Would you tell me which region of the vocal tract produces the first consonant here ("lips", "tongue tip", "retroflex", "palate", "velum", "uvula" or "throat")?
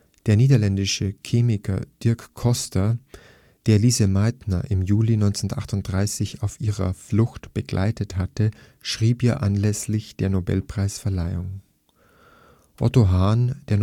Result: tongue tip